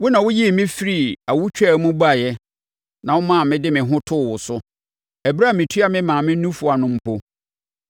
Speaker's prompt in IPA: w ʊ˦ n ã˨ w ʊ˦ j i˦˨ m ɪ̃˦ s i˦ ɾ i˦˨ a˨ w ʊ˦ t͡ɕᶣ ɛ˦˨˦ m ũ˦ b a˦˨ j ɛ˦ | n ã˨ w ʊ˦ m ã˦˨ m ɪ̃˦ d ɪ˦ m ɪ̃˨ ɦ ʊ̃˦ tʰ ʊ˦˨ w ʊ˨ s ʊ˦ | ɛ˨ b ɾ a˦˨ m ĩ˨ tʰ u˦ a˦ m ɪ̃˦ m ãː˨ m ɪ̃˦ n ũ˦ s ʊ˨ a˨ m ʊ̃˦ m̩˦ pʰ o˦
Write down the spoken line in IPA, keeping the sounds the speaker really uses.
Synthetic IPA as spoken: w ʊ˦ n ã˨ w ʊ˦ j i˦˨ m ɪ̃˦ f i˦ ɾ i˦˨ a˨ w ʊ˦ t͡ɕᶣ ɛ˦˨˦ m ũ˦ b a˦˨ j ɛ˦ | n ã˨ w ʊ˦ m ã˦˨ m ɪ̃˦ d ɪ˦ m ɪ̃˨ ɦ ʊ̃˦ tʰ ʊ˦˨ w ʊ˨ s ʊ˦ | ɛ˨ b ɾ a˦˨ m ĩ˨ tʰ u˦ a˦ m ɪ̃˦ m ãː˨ m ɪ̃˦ n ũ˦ f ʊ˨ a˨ n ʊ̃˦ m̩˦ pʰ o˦